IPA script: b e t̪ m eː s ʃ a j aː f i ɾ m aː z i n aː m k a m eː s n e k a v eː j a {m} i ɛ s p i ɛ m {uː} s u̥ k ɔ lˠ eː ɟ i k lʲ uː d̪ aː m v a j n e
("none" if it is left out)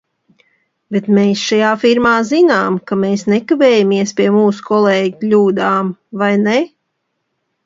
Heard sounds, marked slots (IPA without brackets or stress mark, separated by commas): m, uː